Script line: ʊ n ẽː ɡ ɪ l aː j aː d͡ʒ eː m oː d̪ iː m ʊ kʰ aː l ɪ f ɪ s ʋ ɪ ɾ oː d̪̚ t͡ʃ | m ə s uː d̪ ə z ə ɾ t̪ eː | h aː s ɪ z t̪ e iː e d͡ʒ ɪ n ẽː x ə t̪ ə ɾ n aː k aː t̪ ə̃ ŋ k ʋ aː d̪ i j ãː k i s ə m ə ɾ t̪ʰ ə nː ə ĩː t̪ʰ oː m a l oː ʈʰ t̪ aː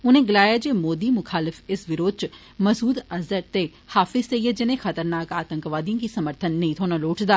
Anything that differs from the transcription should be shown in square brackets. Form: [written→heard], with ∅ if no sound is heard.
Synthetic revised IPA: ʊ n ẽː ɡ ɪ l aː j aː d͡ʒ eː m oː d̪ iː m ʊ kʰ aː l ɪ f ɪ s ʋ ɪ ɾ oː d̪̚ t͡ʃ | m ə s uː d̪ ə z ə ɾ t̪ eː | h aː [s→f] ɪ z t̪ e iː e d͡ʒ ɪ n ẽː x ə t̪ ə ɾ n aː k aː t̪ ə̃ ŋ k ʋ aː d̪ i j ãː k i s ə m ə ɾ t̪ʰ ə nː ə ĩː t̪ʰ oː [m→n] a l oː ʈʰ [t̪→d̪] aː